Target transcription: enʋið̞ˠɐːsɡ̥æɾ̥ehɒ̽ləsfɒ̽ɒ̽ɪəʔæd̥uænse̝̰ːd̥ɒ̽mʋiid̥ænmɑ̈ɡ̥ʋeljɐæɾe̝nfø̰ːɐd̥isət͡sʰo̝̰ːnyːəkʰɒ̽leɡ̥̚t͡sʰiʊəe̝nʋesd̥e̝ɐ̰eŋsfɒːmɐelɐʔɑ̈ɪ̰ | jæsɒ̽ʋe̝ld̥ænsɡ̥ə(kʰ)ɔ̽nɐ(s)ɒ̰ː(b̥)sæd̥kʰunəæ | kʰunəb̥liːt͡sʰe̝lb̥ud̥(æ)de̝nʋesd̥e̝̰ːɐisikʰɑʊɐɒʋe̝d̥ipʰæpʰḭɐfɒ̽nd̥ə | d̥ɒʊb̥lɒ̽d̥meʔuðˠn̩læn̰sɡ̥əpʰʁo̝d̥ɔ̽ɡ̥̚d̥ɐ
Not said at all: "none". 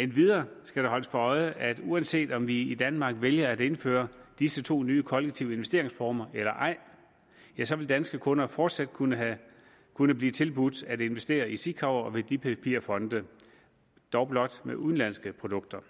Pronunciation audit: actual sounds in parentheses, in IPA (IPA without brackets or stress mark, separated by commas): kʰ, f, d̥, æ